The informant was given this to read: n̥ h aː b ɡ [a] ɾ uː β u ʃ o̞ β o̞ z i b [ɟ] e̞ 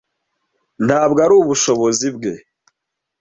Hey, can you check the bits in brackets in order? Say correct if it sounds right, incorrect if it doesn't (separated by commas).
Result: correct, incorrect